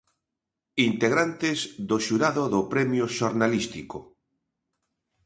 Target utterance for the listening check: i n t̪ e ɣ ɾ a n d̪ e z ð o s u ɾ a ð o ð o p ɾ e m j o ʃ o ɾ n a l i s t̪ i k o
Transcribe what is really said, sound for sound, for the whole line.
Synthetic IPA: i n t̪ e ɣ ɾ a n t̪ e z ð o ʃ u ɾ a ð o ð o p ɾ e m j o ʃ o ɾ n a l i s t̪ i k o